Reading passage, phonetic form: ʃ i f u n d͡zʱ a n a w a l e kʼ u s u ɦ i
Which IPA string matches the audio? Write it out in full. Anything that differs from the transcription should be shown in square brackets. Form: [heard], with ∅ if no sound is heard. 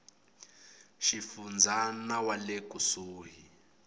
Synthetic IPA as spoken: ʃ i f u n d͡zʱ a n a w a l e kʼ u s [uː] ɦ i

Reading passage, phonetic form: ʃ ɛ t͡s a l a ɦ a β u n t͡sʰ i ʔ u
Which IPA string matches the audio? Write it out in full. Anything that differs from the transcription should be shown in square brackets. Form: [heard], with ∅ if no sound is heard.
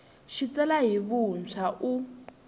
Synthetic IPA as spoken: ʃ [i] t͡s [ɛ] l a ɦ [i] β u n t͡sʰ [a] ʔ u

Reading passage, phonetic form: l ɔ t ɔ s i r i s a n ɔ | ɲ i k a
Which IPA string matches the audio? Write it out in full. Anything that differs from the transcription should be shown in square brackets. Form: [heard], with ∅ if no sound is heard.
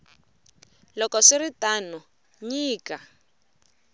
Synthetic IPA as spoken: l ɔ [k] ɔ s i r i [t] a n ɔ | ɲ [iː] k a

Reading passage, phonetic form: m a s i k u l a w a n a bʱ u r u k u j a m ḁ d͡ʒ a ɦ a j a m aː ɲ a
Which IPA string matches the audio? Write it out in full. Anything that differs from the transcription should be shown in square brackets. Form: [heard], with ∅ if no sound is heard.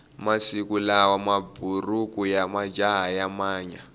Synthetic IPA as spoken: m a s i k u l a w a [m] a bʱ u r u k u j a m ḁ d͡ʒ a ɦ a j a m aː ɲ a

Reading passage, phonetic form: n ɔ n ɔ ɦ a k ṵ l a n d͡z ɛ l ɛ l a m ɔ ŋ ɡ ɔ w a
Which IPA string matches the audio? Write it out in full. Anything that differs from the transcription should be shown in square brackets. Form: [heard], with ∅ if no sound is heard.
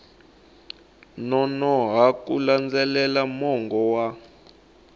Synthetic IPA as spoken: n ɔ n ɔ ɦ a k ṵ l a n d͡z ɛ l ɛ l a m ɔ ŋ ɡ ɔ w a

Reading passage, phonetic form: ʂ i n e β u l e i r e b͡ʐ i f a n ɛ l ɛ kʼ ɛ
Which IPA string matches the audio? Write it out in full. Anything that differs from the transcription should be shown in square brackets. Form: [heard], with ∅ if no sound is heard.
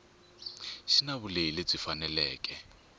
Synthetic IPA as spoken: [ʃ] i n [a] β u l e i [l] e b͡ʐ i f a n ɛ l [ɛː] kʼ ɛ

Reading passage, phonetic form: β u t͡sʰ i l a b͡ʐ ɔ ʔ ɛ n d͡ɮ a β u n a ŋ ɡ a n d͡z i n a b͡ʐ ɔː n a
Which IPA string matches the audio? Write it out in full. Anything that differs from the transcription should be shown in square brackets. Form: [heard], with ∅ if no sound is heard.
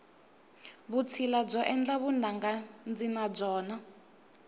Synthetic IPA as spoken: β u t͡sʰ i l a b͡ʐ ɔ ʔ ɛ n d͡ɮ a β u n a ŋ ɡ a n d͡z i n a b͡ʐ ɔː n a

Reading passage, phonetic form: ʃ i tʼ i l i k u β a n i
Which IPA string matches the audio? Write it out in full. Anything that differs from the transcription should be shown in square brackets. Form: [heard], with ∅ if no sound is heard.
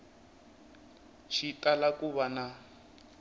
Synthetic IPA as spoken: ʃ i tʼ [a] l [a] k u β a n [a]

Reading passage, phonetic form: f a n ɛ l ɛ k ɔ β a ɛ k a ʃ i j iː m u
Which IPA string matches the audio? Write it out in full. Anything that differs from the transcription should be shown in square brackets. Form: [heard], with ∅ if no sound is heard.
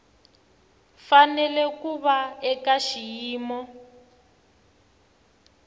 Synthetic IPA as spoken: f a n ɛ l ɛ k [u] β a ɛ k a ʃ i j iː m [ɔ]

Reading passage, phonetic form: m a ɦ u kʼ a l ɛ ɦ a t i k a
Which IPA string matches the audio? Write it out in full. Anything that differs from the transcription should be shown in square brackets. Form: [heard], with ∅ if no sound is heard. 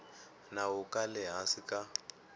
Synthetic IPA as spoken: [n] a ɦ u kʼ a l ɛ ɦ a [s] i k a

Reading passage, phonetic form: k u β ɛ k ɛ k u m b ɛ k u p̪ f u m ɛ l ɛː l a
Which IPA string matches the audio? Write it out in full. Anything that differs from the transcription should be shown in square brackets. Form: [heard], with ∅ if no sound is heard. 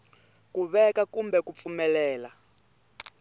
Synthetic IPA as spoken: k u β ɛ k [a] k u m b ɛ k u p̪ f u m ɛ l ɛː l a

